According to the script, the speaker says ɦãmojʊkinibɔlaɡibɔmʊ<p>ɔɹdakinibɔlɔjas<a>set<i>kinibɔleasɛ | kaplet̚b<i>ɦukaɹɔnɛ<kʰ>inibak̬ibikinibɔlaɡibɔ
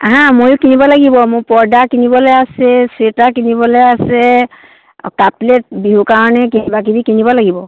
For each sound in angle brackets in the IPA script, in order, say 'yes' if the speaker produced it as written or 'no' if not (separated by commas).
yes, no, no, yes, no